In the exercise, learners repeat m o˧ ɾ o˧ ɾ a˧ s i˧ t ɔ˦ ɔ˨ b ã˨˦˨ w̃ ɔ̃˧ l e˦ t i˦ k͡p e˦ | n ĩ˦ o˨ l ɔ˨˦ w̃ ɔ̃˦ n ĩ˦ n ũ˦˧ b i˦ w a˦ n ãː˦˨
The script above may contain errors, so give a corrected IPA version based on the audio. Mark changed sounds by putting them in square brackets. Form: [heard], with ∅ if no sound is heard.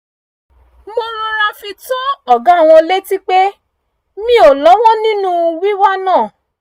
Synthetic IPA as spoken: m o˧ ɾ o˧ ɾ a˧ [f] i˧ t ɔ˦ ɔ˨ [ɡ] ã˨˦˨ w̃ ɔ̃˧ l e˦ t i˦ k͡p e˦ | [m] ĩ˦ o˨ l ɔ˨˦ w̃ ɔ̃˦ n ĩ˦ n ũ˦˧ [w] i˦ w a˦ n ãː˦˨